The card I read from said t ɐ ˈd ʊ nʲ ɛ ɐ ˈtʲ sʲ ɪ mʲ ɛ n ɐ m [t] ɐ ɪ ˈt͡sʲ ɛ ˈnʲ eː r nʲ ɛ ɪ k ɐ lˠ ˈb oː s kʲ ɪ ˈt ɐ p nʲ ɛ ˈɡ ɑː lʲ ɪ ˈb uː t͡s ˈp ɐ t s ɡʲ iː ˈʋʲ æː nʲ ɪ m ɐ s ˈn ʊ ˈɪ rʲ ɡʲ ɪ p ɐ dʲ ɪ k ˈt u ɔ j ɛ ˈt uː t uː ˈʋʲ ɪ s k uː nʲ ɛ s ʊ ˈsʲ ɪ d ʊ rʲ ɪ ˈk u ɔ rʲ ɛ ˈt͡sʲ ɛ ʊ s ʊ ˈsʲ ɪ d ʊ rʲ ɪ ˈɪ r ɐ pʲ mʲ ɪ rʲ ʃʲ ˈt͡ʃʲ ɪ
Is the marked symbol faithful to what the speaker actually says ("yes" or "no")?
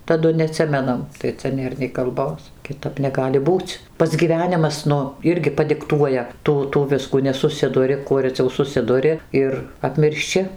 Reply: yes